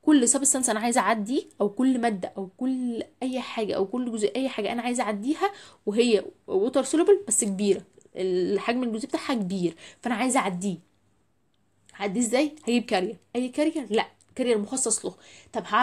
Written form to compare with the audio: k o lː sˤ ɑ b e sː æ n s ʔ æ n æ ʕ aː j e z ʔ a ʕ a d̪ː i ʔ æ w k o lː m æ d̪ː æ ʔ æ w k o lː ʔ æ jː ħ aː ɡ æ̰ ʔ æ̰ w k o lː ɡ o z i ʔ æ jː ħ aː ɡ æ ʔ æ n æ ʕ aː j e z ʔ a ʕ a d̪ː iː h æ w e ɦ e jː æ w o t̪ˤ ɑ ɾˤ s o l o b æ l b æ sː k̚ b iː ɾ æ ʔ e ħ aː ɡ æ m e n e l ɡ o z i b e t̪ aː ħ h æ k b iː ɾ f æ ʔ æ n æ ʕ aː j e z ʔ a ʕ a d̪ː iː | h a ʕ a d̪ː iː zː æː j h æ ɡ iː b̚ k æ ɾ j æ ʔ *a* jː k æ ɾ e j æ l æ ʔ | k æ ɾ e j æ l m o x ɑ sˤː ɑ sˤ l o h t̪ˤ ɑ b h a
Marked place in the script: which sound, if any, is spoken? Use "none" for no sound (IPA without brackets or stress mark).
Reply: æ